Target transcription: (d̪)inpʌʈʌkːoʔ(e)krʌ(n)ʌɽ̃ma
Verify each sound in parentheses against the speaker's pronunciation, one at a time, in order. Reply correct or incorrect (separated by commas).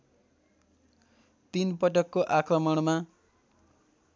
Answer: incorrect, incorrect, incorrect